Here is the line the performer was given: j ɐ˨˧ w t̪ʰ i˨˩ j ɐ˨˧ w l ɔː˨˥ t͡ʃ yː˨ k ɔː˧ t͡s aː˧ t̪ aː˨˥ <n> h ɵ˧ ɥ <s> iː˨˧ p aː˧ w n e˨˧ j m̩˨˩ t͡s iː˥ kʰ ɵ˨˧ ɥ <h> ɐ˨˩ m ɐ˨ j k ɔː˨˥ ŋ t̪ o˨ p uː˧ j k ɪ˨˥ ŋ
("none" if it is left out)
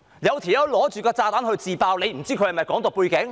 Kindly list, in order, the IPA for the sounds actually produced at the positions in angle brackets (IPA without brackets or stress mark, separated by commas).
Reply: n, t͡s, h